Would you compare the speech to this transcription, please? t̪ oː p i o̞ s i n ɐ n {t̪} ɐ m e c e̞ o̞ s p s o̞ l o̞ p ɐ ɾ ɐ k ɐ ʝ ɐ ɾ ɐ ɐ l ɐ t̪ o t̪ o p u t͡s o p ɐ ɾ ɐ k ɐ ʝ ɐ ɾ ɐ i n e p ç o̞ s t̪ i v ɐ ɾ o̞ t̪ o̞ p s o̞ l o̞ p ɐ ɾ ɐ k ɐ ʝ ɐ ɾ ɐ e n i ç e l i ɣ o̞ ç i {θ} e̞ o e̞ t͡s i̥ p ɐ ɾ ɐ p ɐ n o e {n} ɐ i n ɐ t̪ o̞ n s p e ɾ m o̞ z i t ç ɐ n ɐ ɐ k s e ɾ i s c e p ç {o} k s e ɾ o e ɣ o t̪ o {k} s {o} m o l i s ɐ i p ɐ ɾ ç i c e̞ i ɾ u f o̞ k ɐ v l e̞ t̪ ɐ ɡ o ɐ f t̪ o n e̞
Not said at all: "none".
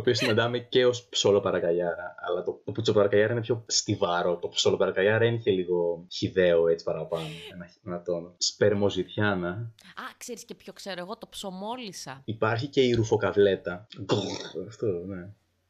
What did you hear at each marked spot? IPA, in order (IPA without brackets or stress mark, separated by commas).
d̪, ð, n, o, p, o